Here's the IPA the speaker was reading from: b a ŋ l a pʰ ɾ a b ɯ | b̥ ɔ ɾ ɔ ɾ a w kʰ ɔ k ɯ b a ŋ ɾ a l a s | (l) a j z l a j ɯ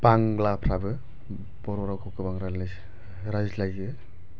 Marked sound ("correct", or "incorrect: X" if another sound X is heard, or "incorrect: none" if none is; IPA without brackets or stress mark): incorrect: ɾ